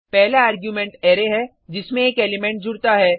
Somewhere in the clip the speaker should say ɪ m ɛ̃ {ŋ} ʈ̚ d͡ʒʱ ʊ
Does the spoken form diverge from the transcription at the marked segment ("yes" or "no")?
yes